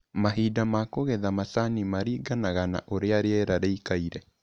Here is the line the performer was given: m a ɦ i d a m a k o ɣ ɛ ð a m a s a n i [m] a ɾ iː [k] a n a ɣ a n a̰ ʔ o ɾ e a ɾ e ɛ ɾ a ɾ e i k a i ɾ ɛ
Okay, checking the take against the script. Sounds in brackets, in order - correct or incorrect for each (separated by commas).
correct, incorrect